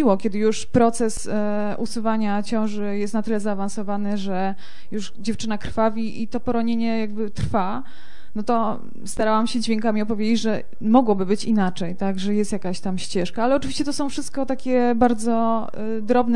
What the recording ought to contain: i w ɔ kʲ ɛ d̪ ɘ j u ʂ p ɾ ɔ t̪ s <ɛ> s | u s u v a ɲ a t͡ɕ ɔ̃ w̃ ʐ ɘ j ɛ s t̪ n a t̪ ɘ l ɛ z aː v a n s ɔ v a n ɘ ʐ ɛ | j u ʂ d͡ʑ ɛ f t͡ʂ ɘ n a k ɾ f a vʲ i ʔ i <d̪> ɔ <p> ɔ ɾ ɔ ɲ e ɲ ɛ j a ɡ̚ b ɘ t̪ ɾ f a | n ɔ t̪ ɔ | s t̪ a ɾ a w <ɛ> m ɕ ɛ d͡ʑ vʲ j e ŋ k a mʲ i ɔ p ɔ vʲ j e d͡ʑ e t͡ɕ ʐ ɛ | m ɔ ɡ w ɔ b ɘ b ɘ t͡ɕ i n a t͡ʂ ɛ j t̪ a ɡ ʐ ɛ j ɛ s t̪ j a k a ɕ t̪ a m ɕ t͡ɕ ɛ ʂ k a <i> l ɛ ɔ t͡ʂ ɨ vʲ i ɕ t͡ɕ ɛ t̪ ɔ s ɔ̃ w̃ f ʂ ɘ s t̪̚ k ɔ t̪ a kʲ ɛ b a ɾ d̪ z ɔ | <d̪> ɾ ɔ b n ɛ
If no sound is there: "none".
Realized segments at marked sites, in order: ɛ, t̪, p, a, a, d̪

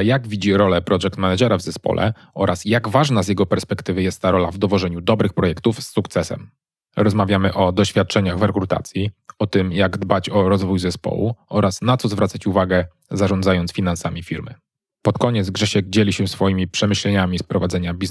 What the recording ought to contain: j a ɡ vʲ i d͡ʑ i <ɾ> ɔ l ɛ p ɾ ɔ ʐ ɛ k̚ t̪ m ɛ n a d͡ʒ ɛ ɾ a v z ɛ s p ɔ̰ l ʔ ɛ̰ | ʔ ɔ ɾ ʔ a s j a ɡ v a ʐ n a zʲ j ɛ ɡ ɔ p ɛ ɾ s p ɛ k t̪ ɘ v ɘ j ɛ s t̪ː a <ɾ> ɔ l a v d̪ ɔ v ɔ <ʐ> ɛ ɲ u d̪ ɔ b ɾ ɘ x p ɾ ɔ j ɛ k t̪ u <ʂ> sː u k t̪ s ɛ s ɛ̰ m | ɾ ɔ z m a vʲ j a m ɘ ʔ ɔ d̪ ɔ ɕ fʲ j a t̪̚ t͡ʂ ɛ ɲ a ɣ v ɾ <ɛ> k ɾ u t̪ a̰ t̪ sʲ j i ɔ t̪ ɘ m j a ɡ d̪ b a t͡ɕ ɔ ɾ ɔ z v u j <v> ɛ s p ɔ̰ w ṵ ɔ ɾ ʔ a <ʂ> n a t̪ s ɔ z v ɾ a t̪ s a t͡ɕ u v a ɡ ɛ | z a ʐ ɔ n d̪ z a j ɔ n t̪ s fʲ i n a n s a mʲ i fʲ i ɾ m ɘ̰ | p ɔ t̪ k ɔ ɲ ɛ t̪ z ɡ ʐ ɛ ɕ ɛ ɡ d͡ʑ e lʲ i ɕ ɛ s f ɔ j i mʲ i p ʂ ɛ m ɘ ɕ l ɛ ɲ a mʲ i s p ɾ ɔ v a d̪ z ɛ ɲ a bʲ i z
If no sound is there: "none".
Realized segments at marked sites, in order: ɾ, ɾ, ʐ, f, ɛ, z, s

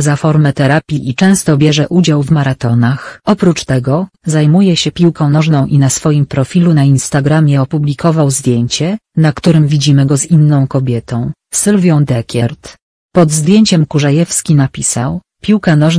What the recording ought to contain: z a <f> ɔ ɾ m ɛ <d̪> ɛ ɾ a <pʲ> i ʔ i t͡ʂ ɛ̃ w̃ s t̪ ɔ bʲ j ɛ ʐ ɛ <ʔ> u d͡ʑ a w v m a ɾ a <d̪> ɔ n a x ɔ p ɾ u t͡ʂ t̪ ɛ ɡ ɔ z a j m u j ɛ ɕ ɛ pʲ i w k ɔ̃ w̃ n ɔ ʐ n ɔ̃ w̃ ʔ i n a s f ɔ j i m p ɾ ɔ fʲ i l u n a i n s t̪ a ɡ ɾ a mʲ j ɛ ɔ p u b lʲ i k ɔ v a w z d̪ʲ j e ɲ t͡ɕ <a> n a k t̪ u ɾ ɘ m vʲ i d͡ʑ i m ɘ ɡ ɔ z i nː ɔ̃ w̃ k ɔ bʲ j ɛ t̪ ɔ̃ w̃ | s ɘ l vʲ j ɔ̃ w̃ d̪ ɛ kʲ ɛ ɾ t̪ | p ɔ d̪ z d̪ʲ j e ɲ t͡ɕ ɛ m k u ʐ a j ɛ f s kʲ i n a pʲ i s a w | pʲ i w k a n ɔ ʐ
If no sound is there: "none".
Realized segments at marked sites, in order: f, t̪, pʲ, ʔ, t̪, ɛ

